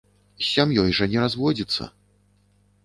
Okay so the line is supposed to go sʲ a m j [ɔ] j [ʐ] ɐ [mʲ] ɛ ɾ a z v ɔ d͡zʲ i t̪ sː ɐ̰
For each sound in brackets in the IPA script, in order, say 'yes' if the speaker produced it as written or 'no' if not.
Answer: yes, yes, no

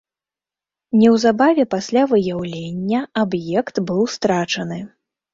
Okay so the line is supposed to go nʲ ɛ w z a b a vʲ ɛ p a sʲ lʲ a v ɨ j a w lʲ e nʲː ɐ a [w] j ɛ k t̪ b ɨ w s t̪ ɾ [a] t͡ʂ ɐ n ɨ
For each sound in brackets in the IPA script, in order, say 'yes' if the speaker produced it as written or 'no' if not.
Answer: no, yes

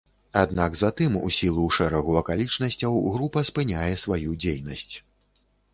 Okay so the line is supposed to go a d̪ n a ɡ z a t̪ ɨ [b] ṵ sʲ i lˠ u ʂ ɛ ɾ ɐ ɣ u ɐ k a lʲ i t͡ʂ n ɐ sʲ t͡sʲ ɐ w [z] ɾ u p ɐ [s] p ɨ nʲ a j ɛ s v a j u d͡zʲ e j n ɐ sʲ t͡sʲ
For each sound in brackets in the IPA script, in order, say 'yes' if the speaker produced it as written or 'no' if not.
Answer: no, no, yes

